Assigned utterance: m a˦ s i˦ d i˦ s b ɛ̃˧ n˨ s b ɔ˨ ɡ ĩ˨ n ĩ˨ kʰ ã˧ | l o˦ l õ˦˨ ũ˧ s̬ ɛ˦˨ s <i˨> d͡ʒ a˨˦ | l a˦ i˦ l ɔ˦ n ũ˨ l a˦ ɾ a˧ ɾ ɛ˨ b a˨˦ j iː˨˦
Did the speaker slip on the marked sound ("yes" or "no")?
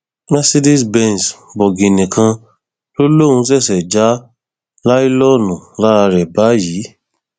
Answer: yes